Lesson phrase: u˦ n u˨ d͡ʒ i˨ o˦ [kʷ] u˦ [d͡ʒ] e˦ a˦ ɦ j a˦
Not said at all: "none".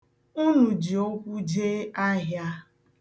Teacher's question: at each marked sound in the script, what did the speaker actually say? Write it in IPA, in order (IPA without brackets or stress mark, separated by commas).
kʷ, d͡ʒ